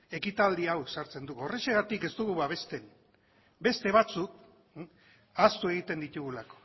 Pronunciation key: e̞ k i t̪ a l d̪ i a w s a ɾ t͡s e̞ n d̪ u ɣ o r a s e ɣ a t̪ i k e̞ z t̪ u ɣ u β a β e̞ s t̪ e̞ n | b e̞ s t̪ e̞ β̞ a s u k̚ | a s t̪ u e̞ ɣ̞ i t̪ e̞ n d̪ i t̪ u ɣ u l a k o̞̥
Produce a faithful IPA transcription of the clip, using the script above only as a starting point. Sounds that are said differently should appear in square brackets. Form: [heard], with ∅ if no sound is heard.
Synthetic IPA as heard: e̞ k i t̪ a l d̪ i a w s a ɾ t͡s e̞ n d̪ u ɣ o r [e] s e ɣ a t̪ i k e̞ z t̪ u ɣ u β a β e̞ s t̪ e̞ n | b e̞ s t̪ e̞ β̞ a [t͡s] u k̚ | a s t̪ u e̞ ɣ̞ i t̪ e̞ n d̪ i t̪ u ɣ u l a k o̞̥